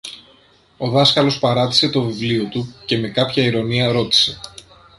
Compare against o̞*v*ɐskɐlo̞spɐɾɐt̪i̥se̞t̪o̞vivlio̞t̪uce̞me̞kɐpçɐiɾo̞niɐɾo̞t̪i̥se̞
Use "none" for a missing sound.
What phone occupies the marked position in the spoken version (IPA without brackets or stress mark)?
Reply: ð